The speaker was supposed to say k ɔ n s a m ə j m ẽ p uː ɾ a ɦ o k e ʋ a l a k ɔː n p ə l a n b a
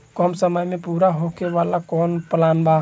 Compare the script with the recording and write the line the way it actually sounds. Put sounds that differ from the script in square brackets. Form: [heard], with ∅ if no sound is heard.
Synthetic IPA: k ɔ [m] s [ə] m ə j m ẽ p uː ɾ a ɦ o k e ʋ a l a k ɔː n p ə l a n b a